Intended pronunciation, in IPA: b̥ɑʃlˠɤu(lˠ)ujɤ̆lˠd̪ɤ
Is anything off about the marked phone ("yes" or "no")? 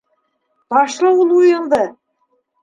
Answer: no